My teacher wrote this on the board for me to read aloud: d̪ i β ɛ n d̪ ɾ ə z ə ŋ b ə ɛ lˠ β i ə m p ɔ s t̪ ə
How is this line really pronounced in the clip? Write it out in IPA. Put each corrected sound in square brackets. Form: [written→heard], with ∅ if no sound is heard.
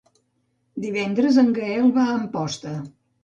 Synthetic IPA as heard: d̪ i β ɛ n d̪ ɾ ə z ə ŋ [b→ɡ] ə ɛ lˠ β [i→a] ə m p ɔ s t̪ ə